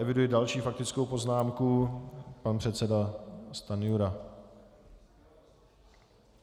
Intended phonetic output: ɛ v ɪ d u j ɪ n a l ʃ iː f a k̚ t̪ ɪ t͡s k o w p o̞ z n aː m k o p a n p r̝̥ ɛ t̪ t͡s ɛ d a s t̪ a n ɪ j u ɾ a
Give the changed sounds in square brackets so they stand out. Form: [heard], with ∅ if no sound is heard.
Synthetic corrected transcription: ɛ v ɪ d u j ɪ [d] a l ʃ iː f a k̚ t̪ ɪ t͡s k o w p o̞ z n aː m k [u] p a n p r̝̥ ɛ t̪ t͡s ɛ d a s t̪ a n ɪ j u ɾ a